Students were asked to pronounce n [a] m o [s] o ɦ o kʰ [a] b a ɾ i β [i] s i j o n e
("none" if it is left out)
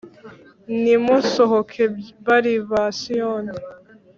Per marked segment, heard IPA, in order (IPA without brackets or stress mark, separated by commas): i, s, e, a